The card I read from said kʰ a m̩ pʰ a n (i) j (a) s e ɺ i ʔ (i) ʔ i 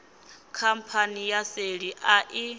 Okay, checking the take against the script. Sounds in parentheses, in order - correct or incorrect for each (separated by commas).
correct, correct, incorrect